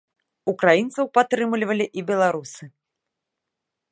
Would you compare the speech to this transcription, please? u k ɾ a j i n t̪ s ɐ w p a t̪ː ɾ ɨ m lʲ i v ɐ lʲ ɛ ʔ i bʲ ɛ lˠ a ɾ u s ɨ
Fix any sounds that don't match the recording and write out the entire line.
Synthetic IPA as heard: u k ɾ a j i n t̪ s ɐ w p a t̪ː ɾ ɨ m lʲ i v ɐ lʲ i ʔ i bʲ ɛ lˠ a ɾ u s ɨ

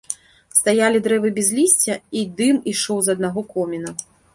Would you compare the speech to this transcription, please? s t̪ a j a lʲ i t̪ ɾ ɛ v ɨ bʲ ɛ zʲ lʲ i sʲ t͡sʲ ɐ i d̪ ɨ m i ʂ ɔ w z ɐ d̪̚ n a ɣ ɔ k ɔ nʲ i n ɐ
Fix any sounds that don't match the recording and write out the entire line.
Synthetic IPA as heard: s t̪ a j a lʲ i d̪ ɾ ɛ v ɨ bʲ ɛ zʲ lʲ i sʲ t͡sʲ ɐ i d̪ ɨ m i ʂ ɔ w z ɐ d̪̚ n a ɣ ɔ k ɔ mʲ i n ɐ

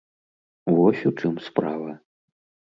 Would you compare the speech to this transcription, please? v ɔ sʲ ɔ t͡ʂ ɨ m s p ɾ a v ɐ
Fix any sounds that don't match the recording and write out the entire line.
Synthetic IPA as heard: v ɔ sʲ u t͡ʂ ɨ m s p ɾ a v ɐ

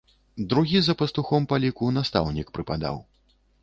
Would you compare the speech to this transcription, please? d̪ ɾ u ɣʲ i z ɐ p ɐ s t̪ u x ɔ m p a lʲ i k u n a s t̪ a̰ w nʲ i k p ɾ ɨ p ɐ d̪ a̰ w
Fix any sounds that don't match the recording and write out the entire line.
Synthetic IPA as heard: d̪ ɾ u ɣʲ i z ɐ p ɐ s t̪ u x ɔ m p a lʲ i k u n a s t̪ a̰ w nʲ i k p ɾ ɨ p a d̪ a̰ w

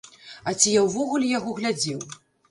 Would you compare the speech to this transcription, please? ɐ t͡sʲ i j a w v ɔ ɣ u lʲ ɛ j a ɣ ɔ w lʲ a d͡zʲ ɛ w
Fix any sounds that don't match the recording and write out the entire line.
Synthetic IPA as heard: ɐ t͡sʲ i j a w v ɔ ɣ u lʲ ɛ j a ɣ ɔ ɣ lʲ a d͡zʲ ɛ w

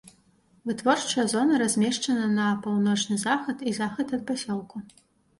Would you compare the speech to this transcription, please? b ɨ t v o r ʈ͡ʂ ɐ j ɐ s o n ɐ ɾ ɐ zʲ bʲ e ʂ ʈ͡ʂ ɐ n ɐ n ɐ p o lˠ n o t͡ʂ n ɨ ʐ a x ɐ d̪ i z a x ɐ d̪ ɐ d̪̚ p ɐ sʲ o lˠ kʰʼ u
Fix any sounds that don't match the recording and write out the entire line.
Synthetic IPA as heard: v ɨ t v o r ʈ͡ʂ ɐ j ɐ z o n ɐ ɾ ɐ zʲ mʲ e ʂ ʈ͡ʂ ɐ n ɐ n ɐ p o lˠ n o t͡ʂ n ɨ z a x ɐ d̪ i z a x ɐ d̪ ɐ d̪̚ p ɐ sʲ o lˠ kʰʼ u

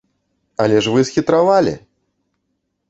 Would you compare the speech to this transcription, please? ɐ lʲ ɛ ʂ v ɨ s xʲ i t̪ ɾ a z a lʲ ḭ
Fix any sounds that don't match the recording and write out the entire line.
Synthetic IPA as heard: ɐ lʲ ɛ ʂ v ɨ s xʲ i t̪ ɾ a v a lʲ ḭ

